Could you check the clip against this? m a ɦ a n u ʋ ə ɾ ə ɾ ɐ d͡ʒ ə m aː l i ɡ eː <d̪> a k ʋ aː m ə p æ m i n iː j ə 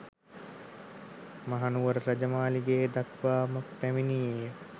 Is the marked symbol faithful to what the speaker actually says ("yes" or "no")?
yes